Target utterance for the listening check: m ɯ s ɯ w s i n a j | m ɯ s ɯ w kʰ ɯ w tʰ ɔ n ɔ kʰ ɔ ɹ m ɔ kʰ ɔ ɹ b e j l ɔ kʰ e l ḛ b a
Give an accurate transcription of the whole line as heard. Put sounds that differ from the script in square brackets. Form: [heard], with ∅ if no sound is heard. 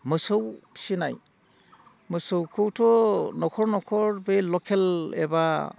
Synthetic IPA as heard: m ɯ s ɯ w s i n a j | m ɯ s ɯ w kʰ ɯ w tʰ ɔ n ɔ kʰ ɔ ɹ [n] ɔ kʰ ɔ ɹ b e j l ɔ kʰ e l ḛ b a